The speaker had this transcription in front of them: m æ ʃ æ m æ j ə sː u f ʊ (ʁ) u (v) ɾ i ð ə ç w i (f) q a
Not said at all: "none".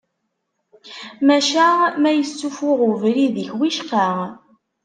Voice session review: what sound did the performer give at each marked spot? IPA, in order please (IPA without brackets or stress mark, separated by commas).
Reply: ʁ, v, ʃ